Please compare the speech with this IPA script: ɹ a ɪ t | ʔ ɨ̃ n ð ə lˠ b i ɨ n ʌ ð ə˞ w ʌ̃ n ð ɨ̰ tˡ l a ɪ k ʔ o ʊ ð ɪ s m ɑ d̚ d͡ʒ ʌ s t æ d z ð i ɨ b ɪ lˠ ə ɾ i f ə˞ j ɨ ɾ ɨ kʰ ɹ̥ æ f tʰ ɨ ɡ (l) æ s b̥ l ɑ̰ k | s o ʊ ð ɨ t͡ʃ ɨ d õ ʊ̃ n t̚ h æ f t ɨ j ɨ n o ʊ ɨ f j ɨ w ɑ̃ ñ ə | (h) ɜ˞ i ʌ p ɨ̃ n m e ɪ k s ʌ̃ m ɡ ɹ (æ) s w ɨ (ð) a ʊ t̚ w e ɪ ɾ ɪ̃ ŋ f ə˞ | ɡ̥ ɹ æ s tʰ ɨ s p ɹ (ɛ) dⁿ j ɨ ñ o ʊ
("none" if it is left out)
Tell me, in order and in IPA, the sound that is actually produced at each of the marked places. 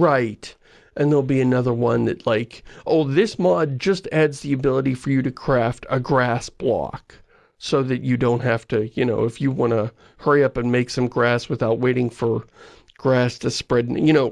ɹ, h, æ, θ, ɛ

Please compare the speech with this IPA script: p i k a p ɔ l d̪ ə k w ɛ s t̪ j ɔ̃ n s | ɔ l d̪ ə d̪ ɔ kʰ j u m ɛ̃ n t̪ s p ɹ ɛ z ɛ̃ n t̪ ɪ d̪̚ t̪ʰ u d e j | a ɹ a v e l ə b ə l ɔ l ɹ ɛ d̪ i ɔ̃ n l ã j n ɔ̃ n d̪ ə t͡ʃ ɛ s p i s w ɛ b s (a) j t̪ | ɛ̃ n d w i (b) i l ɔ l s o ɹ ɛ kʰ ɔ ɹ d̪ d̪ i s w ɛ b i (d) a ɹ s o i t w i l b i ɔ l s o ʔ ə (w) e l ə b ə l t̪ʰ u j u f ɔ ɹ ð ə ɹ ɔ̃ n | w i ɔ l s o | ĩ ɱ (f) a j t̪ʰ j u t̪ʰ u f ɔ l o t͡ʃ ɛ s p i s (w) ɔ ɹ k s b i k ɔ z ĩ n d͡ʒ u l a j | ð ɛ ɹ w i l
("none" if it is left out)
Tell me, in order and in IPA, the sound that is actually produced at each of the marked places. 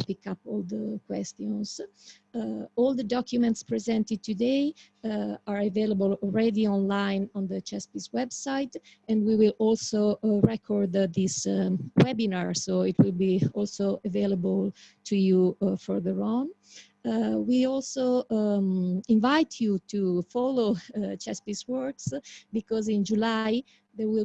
a, w, n, v, v, w

